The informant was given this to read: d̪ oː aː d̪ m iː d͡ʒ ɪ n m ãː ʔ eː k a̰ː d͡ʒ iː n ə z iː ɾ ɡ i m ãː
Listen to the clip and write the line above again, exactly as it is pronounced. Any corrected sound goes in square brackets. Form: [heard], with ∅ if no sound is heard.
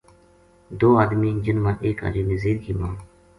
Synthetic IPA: d̪ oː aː d̪ m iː d͡ʒ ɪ n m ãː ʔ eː k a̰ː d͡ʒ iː n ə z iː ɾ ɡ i m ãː